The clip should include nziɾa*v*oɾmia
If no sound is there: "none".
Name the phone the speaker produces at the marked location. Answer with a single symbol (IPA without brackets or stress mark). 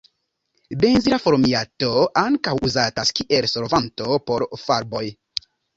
f